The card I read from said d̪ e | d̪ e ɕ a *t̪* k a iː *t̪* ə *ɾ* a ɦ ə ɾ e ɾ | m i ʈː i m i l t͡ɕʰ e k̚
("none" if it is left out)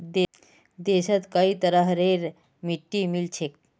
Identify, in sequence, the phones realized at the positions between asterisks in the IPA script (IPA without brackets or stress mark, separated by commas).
t̪, t̪, ɾ